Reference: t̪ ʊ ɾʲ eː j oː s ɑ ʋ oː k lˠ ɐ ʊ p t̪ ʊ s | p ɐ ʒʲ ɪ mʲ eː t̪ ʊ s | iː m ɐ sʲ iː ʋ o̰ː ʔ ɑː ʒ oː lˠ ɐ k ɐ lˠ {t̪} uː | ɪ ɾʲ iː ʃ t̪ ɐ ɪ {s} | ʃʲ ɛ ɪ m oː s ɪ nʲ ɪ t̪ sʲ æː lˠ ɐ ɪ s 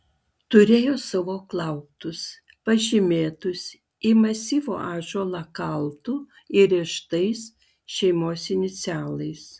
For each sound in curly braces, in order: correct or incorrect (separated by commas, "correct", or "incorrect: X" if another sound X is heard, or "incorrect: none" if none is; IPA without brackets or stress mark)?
correct, correct